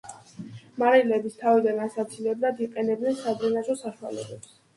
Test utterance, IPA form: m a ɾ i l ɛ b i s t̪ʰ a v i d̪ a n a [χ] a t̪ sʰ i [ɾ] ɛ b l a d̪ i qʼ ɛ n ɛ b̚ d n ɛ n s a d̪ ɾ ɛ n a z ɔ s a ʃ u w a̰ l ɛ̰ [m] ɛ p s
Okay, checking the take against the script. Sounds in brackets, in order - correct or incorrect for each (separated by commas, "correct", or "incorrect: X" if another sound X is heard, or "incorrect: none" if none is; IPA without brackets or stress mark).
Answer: incorrect: s, incorrect: l, incorrect: b